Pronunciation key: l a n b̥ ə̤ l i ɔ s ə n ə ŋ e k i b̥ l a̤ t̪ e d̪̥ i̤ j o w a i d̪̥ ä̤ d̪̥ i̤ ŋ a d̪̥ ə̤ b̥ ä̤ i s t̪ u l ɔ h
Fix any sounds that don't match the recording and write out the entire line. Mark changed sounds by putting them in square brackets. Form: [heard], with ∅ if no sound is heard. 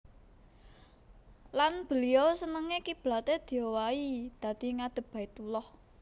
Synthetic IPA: l a n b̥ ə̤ l i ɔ s ə n ə ŋ e k i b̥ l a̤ t̪ e d̪̥ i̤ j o w a i d̪̥ ä̤ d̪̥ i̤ ŋ a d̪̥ ə̤ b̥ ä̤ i [∅] t̪ u l ɔ h